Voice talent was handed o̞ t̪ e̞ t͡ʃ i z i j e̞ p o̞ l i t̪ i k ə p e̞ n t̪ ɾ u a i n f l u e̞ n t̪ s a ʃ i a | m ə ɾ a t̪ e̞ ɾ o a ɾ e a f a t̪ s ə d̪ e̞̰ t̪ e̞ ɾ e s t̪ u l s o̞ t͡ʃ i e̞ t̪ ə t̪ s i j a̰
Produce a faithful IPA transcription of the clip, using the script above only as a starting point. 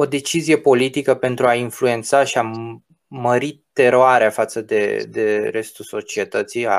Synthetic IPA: o̞ d̪ e̞ t͡ʃ i z i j e̞ p o̞ l i t̪ i k ə p e̞ n t̪ ɾ u a i n f l u e̞ n t̪ s a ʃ i a | m ə ɾ i t̪ e̞ ɾ o a ɾ e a f a t̪ s ə d̪ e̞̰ d̪ e̞ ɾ e s t̪ u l s o̞ t͡ʃ i e̞ t̪ ə t̪ s i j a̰